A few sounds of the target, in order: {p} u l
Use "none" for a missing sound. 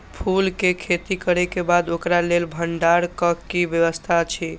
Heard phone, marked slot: pʰ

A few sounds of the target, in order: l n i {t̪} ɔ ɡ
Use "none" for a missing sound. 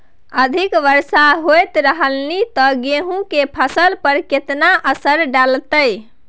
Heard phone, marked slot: t̪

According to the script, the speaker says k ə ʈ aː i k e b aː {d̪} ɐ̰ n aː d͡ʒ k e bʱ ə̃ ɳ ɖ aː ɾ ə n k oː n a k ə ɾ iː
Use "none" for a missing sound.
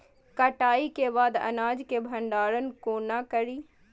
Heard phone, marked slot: d̪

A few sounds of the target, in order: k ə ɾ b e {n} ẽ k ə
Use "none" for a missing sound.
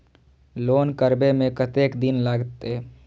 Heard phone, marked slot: m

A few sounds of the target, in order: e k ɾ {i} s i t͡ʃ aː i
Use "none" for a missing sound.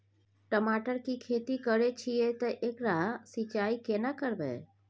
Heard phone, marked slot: a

